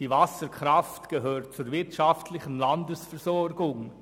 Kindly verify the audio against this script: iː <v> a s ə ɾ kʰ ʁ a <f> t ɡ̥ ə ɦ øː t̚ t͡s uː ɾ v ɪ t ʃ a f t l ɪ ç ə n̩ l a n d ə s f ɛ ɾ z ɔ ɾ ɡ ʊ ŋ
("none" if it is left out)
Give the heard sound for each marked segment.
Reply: v, f

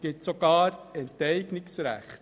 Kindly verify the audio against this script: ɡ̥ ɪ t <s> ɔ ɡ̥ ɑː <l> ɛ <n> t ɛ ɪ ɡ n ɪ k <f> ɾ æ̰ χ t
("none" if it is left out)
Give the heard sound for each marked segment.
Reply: s, ɾ, n, s

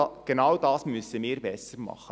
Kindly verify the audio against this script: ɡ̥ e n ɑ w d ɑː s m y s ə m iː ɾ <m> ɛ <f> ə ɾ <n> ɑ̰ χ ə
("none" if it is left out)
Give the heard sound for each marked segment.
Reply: b, s, m

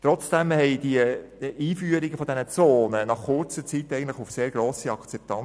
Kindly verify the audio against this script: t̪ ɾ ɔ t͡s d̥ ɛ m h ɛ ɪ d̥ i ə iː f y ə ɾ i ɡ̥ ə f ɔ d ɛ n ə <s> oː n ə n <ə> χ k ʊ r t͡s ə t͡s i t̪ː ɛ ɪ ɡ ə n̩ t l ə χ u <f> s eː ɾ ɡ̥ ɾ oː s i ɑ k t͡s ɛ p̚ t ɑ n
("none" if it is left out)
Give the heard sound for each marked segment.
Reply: t͡s, ɑ, f

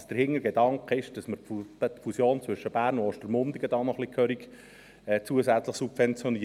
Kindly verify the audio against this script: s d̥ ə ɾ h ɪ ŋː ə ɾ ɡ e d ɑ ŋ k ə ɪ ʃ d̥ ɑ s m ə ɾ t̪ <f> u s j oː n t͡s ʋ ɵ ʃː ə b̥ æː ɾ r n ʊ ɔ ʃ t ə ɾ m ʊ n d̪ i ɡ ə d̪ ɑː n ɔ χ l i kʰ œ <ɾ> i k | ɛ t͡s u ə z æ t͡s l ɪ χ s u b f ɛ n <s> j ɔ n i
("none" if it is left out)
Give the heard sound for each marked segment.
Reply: f, ɾ, t͡s

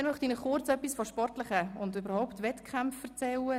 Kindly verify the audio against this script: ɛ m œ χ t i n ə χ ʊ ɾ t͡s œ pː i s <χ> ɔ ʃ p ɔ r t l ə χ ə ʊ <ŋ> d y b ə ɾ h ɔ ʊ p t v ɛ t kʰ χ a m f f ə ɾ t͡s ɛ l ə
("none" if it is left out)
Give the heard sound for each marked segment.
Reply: f, n

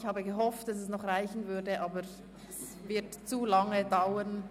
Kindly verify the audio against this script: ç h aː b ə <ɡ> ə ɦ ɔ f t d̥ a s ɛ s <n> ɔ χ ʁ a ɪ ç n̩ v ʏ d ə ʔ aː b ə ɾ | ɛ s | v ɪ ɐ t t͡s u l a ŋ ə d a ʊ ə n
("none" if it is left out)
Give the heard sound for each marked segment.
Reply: ɡ, n

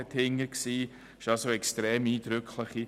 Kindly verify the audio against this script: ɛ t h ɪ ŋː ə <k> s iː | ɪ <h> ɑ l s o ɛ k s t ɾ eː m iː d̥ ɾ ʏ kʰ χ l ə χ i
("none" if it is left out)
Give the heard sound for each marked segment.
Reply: k, ʃ

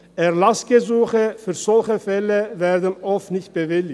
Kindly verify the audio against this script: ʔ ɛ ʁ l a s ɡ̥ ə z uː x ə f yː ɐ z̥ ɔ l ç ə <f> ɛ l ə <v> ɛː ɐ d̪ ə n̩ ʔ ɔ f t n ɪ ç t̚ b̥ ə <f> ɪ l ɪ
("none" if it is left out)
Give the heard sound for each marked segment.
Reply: f, v, v

